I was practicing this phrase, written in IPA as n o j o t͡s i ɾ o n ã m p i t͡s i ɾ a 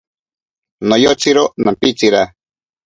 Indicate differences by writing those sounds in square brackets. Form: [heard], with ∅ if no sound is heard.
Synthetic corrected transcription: n o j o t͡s i ɾ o n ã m p i t͡s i ɾ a